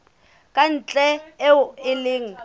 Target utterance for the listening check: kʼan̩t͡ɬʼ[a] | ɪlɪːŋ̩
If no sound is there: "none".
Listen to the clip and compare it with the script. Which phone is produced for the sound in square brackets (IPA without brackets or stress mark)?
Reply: ɛ